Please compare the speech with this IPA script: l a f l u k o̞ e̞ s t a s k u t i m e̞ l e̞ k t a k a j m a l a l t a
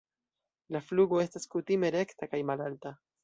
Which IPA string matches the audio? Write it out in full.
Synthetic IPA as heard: l a f l u ɡ o̞ e̞ s t a s k u t i m e̞ ɾ e̞ k t a k a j m a l a l t a